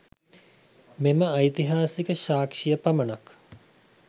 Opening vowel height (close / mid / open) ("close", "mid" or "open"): mid